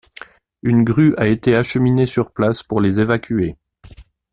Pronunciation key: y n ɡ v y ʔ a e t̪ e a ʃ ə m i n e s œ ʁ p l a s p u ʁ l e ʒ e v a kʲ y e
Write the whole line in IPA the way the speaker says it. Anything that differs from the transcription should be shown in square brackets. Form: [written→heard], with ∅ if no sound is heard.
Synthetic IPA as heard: y n ɡ [v→ʁ] y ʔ a e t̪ e a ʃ ə m i n e s [œ→y] ʁ p l a s p u ʁ l e [ʒ→z] e v a kʲ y e